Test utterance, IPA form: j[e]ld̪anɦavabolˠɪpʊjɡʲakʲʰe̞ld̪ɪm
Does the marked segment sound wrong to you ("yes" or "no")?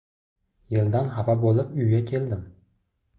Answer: no